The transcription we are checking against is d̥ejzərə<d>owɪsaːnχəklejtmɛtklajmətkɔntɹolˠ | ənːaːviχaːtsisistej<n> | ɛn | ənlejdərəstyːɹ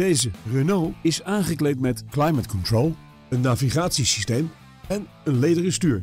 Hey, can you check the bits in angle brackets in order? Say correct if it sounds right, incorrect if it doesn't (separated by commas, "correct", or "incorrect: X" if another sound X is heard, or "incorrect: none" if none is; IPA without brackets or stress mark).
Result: incorrect: n, incorrect: m